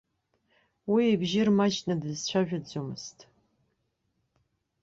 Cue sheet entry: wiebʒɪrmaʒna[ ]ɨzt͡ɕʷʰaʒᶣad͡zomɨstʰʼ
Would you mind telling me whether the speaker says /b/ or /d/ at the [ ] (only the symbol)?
d